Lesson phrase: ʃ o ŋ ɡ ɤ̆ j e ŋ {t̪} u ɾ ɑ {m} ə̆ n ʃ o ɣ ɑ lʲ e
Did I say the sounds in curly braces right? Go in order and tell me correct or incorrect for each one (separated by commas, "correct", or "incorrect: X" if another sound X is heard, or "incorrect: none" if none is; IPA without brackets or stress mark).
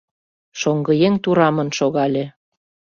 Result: correct, correct